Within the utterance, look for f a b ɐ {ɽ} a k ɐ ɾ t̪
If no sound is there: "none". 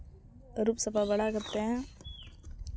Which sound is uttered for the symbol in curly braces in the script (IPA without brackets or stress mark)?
ɽ